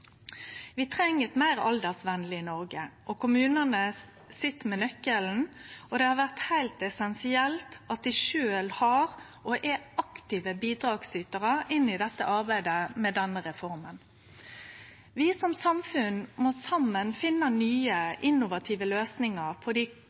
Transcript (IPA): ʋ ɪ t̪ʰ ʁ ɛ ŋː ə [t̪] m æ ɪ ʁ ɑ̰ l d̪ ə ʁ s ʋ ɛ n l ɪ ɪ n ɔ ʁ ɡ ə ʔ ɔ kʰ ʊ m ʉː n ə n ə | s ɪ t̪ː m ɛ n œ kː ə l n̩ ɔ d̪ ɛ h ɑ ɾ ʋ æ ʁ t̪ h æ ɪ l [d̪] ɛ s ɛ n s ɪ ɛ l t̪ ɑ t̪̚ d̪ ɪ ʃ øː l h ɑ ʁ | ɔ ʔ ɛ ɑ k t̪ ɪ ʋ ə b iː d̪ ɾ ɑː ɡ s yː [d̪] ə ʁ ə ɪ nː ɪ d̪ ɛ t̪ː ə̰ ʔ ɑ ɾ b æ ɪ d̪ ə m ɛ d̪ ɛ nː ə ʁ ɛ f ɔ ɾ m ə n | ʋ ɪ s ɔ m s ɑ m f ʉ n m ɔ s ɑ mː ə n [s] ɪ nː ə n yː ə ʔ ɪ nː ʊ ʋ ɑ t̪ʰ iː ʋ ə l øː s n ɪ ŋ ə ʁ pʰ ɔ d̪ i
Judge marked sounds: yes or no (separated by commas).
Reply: yes, no, no, no